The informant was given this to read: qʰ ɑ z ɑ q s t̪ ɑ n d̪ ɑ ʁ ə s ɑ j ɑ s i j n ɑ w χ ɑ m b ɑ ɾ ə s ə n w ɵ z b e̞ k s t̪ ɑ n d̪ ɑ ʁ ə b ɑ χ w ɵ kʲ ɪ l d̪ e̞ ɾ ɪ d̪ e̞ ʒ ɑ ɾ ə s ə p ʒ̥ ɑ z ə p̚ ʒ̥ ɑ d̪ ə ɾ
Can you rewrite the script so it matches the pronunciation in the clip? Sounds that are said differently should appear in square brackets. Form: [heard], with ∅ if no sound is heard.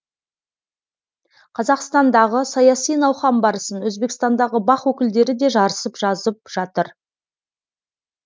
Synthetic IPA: qʰ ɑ z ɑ q s t̪ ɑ n d̪ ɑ ʁ ə s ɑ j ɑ s i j n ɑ w χ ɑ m b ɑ ɾ ə s ə n w ɵ z b e̞ k s t̪ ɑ n d̪ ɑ ʁ ə b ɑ χ w ɵ kʲ ɪ l d̪ e̞ ɾ ɪ d̪ e̞ ʒ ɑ ɾ ə s ə p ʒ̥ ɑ z ə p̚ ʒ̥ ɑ [t̪] ə ɾ

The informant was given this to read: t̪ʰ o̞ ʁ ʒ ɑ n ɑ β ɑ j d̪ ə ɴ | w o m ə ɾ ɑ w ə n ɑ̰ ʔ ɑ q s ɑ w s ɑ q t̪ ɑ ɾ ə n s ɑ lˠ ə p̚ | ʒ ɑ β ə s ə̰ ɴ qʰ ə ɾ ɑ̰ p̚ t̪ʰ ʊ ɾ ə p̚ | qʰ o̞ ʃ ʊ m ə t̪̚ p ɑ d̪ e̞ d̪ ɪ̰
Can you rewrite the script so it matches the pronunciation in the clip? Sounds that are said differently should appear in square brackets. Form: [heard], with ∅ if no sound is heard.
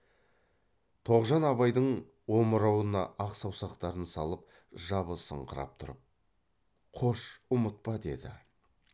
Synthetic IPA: t̪ʰ o̞ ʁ ʒ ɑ n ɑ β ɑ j d̪ ə ɴ | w o m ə ɾ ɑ w ə n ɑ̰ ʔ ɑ q s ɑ w s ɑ q t̪ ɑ ɾ ə n s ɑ lˠ ə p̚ | ʒ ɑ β ə s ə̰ ɴ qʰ ə ɾ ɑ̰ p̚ t̪ʰ ʊ ɾ ə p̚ | qʰ o̞ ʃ ʊ m ə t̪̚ p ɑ d̪ e̞ d̪ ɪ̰

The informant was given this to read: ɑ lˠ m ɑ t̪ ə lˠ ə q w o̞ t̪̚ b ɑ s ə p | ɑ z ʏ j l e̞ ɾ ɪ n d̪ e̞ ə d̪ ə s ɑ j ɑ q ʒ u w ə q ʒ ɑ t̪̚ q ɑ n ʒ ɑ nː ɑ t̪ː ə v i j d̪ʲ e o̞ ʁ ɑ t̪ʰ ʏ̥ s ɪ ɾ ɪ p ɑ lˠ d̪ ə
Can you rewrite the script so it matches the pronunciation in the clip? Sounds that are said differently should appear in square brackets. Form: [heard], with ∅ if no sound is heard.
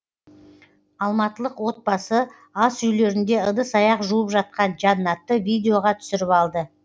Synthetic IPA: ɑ lˠ m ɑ t̪ ə lˠ ə q w o̞ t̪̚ b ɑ s ə [∅] | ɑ [s] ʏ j l e̞ ɾ ɪ n d̪ e̞ ə d̪ ə s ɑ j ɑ q ʒ u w ə [p] ʒ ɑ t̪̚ q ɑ n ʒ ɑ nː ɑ t̪ː ə v i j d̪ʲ e o̞ ʁ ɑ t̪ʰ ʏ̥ s ɪ ɾ ɪ p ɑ lˠ d̪ ə

